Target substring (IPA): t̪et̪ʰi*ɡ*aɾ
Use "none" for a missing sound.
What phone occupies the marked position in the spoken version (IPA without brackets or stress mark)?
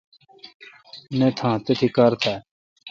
k